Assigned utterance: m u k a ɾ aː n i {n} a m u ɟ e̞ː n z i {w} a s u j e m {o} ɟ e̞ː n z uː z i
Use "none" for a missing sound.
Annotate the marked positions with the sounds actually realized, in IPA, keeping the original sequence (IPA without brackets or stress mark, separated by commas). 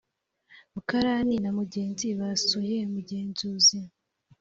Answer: n, β, u